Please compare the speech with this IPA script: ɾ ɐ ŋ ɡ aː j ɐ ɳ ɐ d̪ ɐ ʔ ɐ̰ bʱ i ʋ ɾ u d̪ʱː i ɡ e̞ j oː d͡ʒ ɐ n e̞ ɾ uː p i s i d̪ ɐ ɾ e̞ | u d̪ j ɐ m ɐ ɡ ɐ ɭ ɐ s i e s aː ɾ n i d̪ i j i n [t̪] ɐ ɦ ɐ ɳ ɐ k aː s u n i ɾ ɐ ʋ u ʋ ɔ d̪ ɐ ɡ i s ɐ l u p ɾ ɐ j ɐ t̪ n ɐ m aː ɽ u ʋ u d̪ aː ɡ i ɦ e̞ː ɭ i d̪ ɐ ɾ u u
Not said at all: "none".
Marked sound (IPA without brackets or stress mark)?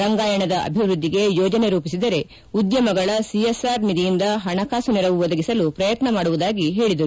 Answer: d̪